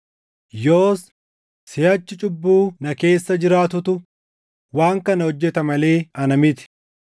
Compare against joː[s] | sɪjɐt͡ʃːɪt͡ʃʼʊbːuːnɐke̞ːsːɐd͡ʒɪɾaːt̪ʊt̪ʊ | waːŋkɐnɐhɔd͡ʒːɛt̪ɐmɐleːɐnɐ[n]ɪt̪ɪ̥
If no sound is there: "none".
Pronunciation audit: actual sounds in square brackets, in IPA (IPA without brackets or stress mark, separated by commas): s, m